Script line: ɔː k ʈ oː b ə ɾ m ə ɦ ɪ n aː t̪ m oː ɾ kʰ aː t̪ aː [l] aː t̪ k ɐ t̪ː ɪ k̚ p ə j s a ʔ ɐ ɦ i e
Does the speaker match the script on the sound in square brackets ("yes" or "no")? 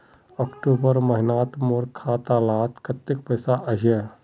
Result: yes